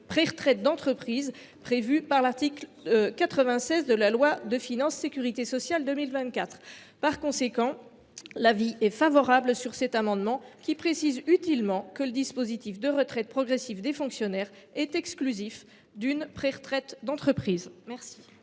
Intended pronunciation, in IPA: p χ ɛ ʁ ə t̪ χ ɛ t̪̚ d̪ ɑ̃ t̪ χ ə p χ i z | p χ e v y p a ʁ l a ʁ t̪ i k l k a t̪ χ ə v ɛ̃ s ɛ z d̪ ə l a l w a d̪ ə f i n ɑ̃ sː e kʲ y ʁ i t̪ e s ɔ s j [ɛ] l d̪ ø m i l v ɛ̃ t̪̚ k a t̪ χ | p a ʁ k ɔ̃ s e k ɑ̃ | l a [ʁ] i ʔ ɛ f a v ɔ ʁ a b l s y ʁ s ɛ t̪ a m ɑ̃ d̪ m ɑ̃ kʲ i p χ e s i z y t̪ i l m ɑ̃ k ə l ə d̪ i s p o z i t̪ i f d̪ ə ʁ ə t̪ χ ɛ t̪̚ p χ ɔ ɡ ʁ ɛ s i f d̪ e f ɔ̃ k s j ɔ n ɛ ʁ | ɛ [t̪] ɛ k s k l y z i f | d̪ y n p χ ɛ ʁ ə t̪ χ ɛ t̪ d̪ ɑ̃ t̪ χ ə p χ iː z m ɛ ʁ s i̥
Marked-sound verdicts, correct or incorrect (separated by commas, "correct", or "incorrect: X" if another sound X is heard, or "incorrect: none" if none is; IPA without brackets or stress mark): incorrect: a, incorrect: v, correct